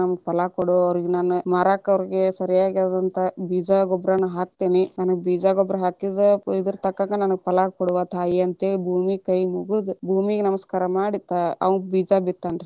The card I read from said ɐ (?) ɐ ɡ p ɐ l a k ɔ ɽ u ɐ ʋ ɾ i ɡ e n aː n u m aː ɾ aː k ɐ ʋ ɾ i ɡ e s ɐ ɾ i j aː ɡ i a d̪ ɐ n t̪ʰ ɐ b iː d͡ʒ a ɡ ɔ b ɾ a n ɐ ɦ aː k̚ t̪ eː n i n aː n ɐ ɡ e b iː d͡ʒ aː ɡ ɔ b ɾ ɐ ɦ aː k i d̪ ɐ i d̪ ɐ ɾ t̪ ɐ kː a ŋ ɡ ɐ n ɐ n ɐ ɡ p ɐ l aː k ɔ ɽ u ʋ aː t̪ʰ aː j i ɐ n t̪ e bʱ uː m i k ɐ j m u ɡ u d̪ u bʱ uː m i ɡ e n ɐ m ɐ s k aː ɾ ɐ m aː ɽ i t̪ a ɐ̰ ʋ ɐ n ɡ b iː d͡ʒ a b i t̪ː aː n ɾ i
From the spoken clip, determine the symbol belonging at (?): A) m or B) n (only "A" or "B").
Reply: A